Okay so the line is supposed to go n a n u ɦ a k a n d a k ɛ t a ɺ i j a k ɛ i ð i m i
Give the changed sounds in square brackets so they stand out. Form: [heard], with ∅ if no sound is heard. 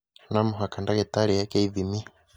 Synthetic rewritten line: n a [m] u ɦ a k a n d a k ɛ t a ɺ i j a k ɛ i ð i m i

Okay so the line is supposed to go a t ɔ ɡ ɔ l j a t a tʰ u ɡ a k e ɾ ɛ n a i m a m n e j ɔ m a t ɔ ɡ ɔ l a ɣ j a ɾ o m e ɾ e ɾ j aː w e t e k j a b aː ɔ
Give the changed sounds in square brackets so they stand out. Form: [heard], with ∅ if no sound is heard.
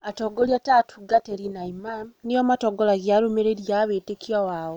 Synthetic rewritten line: a t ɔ ɡ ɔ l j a t a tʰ u ɡ a [t] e ɾ [i] n a i m a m n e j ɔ m a t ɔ ɡ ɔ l a ɣ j a ɾ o m e ɾ e ɾ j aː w e t e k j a [w] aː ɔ

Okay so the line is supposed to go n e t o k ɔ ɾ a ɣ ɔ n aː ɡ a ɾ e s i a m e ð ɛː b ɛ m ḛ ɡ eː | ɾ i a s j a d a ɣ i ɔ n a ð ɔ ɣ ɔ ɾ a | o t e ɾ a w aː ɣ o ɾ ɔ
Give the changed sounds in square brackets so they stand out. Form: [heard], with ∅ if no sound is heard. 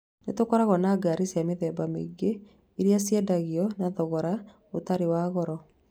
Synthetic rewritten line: n e t o k ɔ ɾ a ɣ ɔ n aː ɡ a ɾ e s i a m e ð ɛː b [a] m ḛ ɡ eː | ɾ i a s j [ɛ] d a ɣ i ɔ n a ð ɔ ɣ ɔ ɾ a | o t [a] ɾ [e] w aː ɣ [ɔ] ɾ ɔ

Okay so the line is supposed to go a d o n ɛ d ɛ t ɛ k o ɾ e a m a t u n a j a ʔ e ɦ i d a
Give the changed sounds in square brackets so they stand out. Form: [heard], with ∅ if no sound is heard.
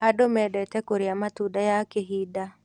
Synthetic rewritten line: a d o [m] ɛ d ɛ t ɛ k o ɾ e a m a t u [d] a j a [k] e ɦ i d a

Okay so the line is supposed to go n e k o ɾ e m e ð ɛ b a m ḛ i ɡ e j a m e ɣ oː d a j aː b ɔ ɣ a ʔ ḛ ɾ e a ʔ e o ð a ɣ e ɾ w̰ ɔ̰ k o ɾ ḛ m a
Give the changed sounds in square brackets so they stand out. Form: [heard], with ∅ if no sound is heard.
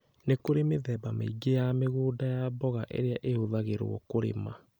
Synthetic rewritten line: n e k o ɾ e m e ð ɛ b a m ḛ i ɡ e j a m e ɣ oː d a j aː b ɔ ɣ a ʔ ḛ ɾ e a ʔ e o ð a ɣ e ɾ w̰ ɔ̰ k o ɾ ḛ m a

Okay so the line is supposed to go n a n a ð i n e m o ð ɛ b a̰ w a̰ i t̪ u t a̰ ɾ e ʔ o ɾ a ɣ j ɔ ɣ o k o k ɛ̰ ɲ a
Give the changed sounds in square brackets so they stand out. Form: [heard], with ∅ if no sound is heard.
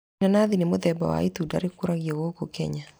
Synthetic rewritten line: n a n a ð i n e m o ð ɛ b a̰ w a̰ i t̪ u [d] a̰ ɾ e [k] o ɾ a ɣ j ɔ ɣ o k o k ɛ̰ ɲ a

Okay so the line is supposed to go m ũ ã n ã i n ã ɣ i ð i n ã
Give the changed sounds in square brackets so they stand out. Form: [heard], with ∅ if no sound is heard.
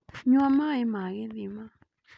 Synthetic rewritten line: [ɲ] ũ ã [m] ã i [m] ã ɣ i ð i [m] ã

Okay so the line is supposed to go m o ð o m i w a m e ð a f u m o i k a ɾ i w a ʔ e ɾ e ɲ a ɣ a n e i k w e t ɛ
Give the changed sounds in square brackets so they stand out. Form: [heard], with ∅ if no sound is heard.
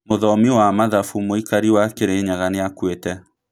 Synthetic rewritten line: m o ð [ɔ] m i w a m [a] ð a f u m o i k a ɾ i w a [k] e ɾ e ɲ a ɣ a n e [a] k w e t ɛ

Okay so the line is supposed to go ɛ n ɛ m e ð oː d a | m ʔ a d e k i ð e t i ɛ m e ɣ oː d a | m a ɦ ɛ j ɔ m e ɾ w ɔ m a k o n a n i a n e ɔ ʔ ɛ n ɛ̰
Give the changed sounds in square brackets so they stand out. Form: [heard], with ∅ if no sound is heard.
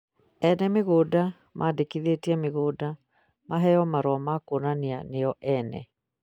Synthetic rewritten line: ɛ n ɛ m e [ɣ] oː d a | m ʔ a d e k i ð e t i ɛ m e ɣ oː d a | m a ɦ ɛ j ɔ m [a] ɾ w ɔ m a k o n a n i a n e ɔ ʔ ɛ n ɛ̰

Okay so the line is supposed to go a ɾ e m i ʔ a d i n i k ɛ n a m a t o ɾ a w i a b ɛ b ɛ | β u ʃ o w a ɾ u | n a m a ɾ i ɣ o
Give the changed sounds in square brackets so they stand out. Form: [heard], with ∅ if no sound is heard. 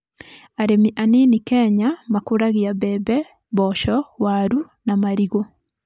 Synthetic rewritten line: a ɾ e m i ʔ a [n] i n i k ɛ [ɲ] a m a [k] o ɾ a [ɣ] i a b ɛ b ɛ | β [ɔ] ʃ [ɔ] w a ɾ u | n a m a ɾ i ɣ o

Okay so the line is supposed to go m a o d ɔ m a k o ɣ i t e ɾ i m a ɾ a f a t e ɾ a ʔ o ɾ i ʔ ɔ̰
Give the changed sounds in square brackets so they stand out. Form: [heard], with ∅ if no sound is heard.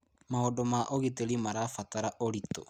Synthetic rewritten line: m a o d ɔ m a [ʔ] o ɣ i t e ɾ i m a ɾ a f a t [a] ɾ a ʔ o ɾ i [t] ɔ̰

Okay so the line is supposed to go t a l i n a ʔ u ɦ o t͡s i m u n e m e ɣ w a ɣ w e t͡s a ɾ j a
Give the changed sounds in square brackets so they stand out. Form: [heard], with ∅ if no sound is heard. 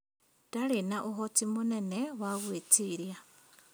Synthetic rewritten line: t a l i n a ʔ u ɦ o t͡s i m u n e [n] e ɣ w a ɣ w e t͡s [i] ɾ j a

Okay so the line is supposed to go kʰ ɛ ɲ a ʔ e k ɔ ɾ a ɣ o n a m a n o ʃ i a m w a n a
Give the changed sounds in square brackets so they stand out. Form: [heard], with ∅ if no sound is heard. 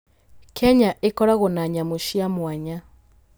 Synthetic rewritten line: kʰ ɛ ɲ a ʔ e k ɔ ɾ a ɣ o n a [ɲ] a [m] o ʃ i a m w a [ɲ] a

